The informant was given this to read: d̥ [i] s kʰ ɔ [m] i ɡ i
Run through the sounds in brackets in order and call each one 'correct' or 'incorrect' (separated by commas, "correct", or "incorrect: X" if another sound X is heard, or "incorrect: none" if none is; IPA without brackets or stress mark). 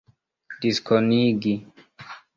correct, incorrect: n